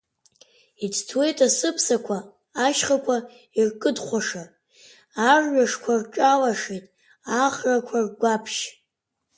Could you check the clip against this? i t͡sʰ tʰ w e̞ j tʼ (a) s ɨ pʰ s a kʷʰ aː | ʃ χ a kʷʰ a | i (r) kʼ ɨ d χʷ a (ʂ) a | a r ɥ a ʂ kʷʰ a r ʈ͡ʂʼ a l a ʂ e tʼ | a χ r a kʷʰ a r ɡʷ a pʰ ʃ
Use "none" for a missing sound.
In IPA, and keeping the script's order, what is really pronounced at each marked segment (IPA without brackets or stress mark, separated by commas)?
a, r, ʂ